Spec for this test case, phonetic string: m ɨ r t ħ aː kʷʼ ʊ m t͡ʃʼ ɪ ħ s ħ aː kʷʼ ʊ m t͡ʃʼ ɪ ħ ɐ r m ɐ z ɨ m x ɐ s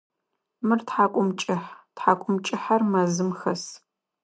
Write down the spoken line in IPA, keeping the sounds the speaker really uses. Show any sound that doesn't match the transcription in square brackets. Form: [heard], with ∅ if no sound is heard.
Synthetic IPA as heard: m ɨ r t ħ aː kʷʼ ʊ m t͡ʃʼ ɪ ħ [t] ħ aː kʷʼ ʊ m t͡ʃʼ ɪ ħ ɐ r m ɐ z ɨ m x ɐ s